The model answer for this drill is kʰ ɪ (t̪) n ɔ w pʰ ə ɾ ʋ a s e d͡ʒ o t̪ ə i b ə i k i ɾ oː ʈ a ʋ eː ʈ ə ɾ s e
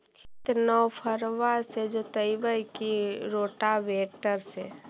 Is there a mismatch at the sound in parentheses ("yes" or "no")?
no